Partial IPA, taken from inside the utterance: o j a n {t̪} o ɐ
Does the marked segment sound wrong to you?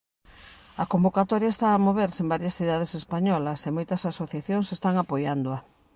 yes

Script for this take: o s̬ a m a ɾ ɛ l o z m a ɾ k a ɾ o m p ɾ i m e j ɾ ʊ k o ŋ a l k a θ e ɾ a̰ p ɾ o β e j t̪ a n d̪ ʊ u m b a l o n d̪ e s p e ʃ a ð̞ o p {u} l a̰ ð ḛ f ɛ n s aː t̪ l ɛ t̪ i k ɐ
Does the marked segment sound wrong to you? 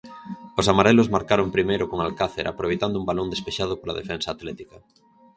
yes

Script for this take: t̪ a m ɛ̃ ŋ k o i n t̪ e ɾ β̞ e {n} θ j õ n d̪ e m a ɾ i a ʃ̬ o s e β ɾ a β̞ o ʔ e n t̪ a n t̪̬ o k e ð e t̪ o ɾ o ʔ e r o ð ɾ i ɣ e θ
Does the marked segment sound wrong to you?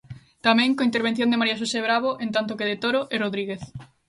no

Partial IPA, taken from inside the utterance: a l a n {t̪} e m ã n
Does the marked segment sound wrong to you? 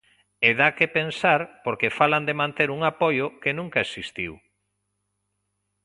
yes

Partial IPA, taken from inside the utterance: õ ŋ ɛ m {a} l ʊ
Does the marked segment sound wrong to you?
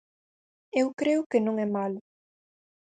no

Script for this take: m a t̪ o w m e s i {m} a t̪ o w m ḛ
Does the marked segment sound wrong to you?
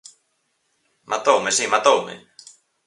no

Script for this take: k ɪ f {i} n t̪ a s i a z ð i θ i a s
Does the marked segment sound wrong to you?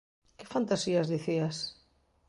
yes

